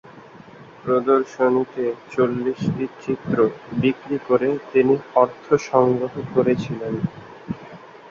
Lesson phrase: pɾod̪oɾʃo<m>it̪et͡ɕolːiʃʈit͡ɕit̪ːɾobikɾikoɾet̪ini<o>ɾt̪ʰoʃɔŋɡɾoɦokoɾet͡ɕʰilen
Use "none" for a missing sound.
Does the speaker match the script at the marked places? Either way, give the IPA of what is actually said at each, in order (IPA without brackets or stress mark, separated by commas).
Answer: n, ɔ